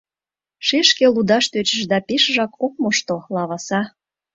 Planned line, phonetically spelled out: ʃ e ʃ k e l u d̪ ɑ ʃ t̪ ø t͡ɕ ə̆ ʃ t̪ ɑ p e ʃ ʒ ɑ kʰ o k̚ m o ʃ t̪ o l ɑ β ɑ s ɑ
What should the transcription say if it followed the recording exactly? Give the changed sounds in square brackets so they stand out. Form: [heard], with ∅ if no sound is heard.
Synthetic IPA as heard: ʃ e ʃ k e l u d̪ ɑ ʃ t̪ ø t͡ɕ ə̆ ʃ [d̪] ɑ p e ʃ ʒ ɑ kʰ o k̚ m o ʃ t̪ o l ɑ β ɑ s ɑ